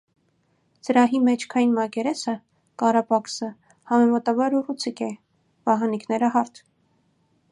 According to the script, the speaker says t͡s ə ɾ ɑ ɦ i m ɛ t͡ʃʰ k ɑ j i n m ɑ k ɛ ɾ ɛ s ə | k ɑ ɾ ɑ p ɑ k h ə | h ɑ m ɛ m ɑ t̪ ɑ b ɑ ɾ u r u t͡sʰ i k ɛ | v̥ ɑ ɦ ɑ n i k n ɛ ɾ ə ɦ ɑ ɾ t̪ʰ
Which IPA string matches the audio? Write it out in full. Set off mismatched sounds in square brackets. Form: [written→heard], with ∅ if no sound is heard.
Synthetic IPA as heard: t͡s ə ɾ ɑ ɦ i m ɛ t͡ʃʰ [k→kʰ] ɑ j i n m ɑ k ɛ ɾ ɛ s ə | k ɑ ɾ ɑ p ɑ k [h→s] ə | h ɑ m ɛ m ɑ t̪ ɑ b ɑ ɾ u r u t͡sʰ i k ɛ | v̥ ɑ ɦ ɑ n i k n ɛ ɾ ə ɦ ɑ ɾ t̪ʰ

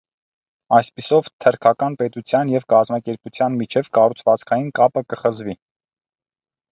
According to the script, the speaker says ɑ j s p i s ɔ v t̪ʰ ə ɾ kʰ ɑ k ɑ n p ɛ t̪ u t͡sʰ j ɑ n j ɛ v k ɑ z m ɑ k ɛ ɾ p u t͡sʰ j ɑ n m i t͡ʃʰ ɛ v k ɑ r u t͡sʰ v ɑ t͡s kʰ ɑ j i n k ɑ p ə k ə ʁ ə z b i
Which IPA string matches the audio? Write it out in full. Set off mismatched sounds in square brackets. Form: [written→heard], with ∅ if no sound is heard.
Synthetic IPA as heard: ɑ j s p i s ɔ v t̪ʰ ə ɾ kʰ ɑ k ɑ n p ɛ t̪ u t͡sʰ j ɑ n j ɛ v k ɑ z m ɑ k ɛ ɾ p u t͡sʰ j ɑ n m i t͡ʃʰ ɛ v k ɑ r u t͡sʰ v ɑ t͡s kʰ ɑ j i n k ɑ p ə k ə [ʁ→χ] ə z [b→v] i

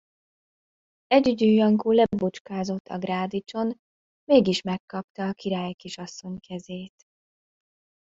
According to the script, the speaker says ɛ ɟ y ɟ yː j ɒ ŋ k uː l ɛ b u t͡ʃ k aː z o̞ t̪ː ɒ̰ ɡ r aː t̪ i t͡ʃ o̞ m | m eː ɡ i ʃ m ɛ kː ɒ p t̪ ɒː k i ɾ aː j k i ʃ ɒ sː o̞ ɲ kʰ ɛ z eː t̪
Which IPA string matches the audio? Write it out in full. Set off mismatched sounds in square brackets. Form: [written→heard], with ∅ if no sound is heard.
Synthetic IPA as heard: ɛ ɟ y ɟ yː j ɒ ŋ k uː l ɛ b u t͡ʃ k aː z o̞ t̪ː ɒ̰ ɡ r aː [t̪→d̪] i t͡ʃ o̞ [m→n] | m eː ɡ i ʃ m ɛ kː ɒ p t̪ ɒː k i ɾ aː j k i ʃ ɒ sː o̞ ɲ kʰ ɛ z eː t̪

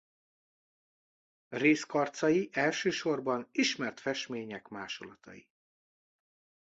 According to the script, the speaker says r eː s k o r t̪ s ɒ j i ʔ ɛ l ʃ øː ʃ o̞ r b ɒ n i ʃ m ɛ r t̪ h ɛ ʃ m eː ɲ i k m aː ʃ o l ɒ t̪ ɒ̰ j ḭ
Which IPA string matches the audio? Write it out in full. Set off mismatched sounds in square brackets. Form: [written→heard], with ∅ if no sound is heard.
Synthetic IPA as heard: r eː s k [o→ɒ] r t̪ s ɒ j i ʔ ɛ l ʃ øː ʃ o̞ r b ɒ n i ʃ m ɛ r t̪ [h→f] ɛ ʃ m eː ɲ [i→ɛ] k m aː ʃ o l ɒ t̪ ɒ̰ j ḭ

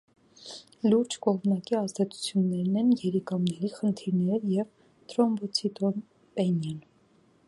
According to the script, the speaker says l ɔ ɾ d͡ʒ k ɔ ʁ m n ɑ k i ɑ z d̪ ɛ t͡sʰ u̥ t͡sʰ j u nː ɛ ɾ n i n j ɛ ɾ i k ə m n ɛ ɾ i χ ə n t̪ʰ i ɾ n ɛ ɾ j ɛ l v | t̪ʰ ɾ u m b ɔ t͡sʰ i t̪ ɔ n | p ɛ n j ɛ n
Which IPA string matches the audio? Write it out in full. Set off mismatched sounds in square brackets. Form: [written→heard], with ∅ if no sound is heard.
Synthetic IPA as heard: l [ɔ→u] ɾ d͡ʒ k ɔ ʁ m n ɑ k i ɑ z d̪ ɛ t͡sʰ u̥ t͡sʰ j u nː ɛ ɾ n [i→ɛ] n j ɛ ɾ i k [ə→ɑ] m n ɛ ɾ i χ ə n t̪ʰ i ɾ n ɛ ɾ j ɛ [l→∅] v | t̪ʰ ɾ [u→ɔ] m b ɔ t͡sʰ i t̪ ɔ n | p ɛ n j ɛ n

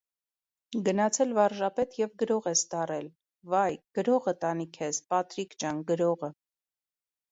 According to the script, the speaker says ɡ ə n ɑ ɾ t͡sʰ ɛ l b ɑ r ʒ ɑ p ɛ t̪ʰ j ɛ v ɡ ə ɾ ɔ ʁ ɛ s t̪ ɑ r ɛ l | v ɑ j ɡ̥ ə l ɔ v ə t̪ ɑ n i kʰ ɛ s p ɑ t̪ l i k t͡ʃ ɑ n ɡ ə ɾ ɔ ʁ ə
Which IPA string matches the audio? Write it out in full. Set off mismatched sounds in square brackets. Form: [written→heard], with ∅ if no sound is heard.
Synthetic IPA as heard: ɡ ə n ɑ [ɾ→∅] t͡sʰ ɛ l [b→v] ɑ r ʒ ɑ p ɛ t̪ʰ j ɛ v ɡ ə ɾ ɔ ʁ ɛ s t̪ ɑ r ɛ l | v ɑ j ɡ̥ ə [l→ɾ] ɔ [v→ʁ] ə t̪ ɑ n i kʰ ɛ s p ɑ t̪ [l→ɾ] i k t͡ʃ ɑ n ɡ ə ɾ ɔ ʁ ə

